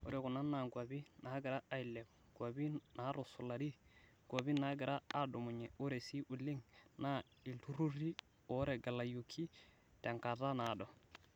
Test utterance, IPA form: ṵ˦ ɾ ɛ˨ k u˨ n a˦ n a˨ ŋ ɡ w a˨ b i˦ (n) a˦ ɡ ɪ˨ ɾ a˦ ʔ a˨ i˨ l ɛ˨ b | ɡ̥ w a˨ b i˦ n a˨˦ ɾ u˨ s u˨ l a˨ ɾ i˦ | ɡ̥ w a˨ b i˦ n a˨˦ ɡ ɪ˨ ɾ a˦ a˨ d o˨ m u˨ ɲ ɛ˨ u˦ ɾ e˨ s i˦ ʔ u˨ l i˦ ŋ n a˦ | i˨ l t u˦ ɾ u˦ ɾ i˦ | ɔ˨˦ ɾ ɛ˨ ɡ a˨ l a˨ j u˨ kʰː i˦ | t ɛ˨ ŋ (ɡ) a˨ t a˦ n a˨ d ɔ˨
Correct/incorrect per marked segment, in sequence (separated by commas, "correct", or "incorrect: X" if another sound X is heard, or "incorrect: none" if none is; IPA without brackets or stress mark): correct, incorrect: k